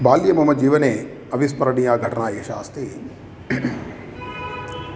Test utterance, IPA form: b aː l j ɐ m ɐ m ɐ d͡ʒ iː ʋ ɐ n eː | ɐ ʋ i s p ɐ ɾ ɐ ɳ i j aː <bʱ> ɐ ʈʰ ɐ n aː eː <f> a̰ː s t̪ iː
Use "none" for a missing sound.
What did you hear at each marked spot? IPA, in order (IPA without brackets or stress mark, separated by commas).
ɡʱ, ʃ